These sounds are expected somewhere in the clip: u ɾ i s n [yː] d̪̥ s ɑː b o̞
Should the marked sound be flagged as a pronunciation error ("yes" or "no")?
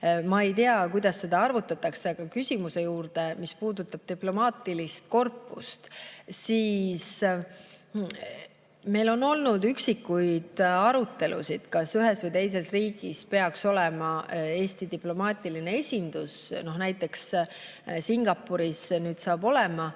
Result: no